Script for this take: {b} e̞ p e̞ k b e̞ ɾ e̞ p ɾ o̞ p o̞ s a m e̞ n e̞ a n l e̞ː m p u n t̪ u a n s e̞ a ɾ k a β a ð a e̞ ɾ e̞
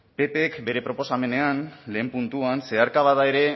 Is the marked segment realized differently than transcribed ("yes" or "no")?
yes